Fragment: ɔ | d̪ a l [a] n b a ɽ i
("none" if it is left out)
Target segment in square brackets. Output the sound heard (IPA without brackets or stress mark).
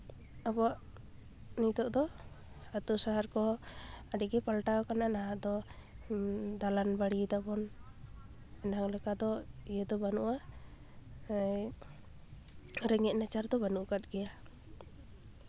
a